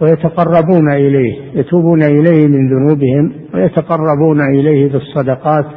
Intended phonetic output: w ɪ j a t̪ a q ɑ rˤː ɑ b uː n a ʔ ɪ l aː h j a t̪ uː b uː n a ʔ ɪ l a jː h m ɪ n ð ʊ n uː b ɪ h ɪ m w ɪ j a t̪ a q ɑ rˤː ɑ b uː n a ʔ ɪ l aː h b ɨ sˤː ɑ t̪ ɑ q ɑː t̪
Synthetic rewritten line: w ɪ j a t̪ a q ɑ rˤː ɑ b uː n a ʔ ɪ l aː h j a t̪ uː b uː n a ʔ ɪ l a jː h m ɪ n ð ʊ n uː b ɪ h ɪ m w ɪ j a t̪ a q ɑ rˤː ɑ b uː n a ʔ ɪ l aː h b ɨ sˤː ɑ d̪ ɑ q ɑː t̪